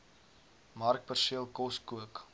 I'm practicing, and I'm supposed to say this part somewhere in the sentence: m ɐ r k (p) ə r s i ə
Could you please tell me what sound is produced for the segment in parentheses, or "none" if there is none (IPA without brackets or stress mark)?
p